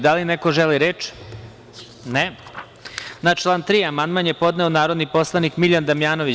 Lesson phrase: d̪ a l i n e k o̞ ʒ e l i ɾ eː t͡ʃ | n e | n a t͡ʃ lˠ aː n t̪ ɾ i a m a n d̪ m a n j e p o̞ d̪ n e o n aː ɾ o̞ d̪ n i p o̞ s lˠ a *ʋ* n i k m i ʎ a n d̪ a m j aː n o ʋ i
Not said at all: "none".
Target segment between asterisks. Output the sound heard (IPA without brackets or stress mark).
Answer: none